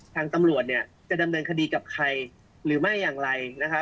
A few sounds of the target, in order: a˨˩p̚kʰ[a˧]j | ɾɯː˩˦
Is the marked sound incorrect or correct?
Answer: correct